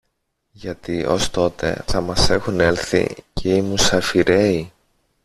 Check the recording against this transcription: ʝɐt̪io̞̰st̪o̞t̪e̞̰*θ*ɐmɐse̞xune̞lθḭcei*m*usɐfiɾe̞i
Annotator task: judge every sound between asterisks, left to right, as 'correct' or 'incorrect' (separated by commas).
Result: correct, correct